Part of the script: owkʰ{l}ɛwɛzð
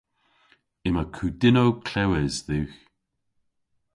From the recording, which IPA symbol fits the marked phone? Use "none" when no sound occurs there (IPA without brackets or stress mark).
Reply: l